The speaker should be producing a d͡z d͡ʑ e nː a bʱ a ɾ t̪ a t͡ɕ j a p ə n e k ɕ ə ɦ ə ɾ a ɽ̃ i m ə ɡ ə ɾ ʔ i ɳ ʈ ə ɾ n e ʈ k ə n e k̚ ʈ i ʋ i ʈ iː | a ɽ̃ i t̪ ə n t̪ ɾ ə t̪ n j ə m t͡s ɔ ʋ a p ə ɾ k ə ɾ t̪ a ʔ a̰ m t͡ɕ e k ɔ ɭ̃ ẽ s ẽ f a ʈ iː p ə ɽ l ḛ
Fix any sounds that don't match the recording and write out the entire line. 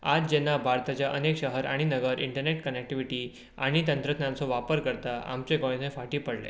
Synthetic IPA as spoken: a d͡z d͡ʑ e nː a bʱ a ɾ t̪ a t͡ɕ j a ʔ ə n e k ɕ ə ɦ ə ɾ a ɽ̃ i n ə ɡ ə ɾ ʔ i ɳ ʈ ə ɾ n e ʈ k ə n e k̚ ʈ i ʋ i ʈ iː | a ɽ̃ i t̪ ə n t̪ ɾ ə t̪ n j a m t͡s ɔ ʋ a p ə ɾ k ə ɾ t̪ a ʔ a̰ m t͡ɕ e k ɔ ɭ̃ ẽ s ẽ f a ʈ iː p ə ɽ l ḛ